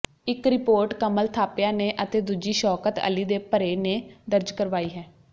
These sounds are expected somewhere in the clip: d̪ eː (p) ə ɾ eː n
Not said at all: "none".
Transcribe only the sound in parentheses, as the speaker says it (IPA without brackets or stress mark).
p